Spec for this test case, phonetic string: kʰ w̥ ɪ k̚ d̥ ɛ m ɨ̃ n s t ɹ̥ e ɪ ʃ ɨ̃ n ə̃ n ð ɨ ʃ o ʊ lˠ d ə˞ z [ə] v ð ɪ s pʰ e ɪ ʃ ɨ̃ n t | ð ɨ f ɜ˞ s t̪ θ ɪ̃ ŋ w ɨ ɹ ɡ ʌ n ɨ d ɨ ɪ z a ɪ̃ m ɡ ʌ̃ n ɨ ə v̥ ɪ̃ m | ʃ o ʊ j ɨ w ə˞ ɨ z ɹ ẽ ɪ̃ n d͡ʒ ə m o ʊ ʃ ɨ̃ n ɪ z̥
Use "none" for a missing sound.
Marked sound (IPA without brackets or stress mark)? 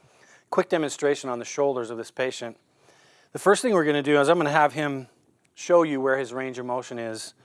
ʌ